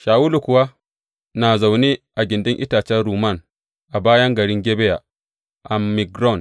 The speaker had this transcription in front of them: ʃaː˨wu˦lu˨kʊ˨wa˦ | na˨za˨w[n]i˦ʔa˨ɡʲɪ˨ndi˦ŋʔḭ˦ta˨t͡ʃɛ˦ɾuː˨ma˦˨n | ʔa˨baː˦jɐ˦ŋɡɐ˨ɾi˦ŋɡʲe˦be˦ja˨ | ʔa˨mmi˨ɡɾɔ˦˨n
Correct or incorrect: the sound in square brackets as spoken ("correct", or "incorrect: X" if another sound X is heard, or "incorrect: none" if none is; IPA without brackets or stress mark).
correct